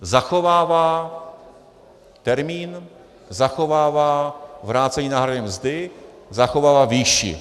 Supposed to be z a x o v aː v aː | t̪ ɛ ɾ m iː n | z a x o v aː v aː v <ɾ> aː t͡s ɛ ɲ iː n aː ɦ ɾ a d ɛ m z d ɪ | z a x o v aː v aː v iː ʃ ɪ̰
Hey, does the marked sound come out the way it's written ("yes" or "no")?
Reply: yes